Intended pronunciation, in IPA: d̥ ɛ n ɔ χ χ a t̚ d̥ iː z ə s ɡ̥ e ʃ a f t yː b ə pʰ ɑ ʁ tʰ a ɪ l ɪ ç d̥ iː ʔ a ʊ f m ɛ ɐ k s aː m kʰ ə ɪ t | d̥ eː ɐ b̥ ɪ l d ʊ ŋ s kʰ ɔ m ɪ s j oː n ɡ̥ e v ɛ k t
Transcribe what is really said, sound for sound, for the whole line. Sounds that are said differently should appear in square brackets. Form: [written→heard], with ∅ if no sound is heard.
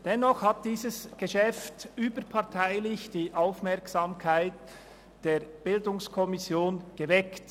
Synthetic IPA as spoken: d̥ ɛ n ɔ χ [χ→h] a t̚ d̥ iː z ə s ɡ̥ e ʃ [a→ɛ] f t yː b ə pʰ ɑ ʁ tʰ a ɪ l ɪ ç d̥ iː ʔ a ʊ f m ɛ ɐ k s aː m kʰ [ə→a] ɪ t | d̥ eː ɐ b̥ ɪ l d ʊ ŋ s kʰ ɔ m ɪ s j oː n ɡ̥ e v ɛ k t

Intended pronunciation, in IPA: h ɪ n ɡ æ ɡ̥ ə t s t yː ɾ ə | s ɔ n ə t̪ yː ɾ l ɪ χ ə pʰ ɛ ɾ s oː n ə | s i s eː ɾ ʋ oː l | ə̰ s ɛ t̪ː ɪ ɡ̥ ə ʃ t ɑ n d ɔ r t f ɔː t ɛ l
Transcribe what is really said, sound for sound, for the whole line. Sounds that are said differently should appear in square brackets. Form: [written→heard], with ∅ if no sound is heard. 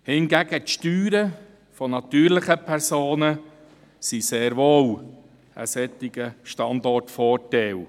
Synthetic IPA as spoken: h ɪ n ɡ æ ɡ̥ ə t [s→ʃ] t yː ɾ ə | [s→f] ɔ n [ə→ɑ] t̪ yː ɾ l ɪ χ ə pʰ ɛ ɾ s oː n ə | s i s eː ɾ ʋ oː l | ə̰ s ɛ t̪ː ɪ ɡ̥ ə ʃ t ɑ n d ɔ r t f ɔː t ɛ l

